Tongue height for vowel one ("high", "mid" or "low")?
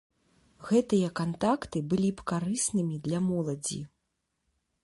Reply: mid